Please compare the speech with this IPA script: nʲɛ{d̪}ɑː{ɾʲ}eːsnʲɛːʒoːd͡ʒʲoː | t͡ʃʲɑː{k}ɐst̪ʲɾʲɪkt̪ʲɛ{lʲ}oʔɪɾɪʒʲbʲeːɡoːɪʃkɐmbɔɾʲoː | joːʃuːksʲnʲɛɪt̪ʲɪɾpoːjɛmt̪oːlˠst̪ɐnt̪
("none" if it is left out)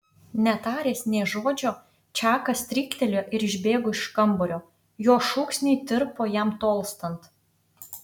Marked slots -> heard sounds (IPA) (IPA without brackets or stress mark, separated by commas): t̪, ɾʲ, k, lʲ